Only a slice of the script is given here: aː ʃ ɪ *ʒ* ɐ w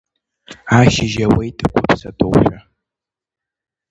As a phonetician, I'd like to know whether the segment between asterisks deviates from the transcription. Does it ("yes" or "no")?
no